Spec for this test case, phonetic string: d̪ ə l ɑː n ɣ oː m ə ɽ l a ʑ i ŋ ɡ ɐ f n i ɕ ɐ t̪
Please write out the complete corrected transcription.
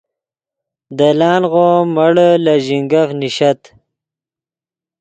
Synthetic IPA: d̪ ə l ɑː n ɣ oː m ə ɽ l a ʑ i ŋ ɡ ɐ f n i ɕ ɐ t̪